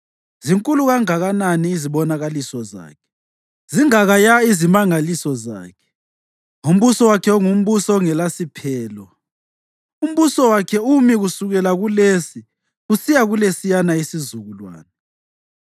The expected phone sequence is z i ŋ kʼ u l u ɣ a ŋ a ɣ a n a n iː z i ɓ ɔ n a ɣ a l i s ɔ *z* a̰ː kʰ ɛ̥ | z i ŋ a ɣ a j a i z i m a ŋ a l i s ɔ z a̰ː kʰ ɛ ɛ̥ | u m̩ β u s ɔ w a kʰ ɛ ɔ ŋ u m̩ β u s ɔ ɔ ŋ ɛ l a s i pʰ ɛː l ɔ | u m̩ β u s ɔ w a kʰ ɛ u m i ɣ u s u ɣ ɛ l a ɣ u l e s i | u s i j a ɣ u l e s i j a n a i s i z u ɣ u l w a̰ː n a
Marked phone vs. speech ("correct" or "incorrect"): correct